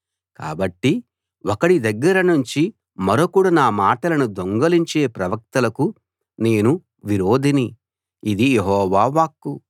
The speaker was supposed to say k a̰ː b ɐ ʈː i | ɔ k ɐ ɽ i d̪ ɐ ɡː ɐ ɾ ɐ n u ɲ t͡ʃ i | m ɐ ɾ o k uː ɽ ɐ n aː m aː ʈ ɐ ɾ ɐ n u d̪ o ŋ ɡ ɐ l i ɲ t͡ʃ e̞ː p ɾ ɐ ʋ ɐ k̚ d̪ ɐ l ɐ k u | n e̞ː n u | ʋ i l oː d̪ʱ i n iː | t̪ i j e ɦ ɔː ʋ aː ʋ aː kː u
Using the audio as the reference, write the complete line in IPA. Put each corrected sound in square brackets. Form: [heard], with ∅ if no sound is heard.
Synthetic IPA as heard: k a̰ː b ɐ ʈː i | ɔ k ɐ ɽ i d̪ ɐ ɡː ɐ ɾ ɐ n u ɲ t͡ʃ i | m ɐ ɾ o k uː ɽ ɐ n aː m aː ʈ ɐ [l] ɐ n u d̪ o ŋ ɡ ɐ l i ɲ t͡ʃ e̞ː p ɾ ɐ ʋ ɐ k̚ [t̪] ɐ l ɐ k u | n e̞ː n u | ʋ i [ɾ] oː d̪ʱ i n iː | [d̪] i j e ɦ ɔː ʋ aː ʋ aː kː u